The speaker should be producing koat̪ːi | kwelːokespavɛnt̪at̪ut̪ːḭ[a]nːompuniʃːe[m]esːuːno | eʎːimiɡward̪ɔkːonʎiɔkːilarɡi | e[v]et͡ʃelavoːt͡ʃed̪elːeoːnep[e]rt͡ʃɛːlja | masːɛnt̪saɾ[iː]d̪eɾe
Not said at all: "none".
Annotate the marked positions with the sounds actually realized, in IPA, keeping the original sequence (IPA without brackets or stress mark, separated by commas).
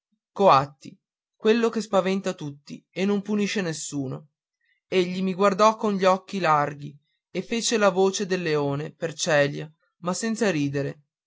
e, n, f, e, iː